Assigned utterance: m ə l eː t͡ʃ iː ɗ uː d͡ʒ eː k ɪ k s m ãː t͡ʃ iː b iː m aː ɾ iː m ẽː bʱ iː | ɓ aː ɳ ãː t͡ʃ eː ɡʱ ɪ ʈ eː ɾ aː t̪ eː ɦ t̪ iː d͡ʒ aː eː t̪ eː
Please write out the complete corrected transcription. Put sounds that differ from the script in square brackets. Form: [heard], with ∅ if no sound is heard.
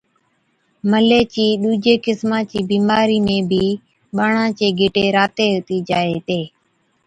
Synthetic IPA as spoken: m ə l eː t͡ʃ iː ɗ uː d͡ʒ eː k ɪ [∅] s m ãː t͡ʃ iː b iː m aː ɾ iː m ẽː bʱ iː | ɓ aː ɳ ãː t͡ʃ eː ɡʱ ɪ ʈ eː ɾ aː t̪ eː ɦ t̪ iː d͡ʒ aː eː t̪ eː